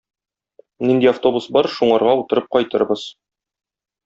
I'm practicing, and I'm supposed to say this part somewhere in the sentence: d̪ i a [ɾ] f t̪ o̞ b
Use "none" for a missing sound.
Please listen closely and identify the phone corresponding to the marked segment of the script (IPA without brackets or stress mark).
none